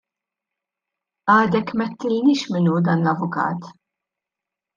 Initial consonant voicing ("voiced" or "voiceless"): voiced